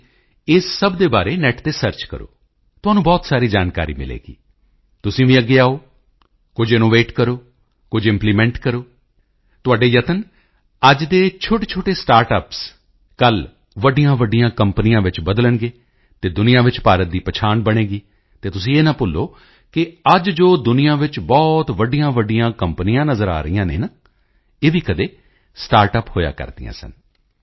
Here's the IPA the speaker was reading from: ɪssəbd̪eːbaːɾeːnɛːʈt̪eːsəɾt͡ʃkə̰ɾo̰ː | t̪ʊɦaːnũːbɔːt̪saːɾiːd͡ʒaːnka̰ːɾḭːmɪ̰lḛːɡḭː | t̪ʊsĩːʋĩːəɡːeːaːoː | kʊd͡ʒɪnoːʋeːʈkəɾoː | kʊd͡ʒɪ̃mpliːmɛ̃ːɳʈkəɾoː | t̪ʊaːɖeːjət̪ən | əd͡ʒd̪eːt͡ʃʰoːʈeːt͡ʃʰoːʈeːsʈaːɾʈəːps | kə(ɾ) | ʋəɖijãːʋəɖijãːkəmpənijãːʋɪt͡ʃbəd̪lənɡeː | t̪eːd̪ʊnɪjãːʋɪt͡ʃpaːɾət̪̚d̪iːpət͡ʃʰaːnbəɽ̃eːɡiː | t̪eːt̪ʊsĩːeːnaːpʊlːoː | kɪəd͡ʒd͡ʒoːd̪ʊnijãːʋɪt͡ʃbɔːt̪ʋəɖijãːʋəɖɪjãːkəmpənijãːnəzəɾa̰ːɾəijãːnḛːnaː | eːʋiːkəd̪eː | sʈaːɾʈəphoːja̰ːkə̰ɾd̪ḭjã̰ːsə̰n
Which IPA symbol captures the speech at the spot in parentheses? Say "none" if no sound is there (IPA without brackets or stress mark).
l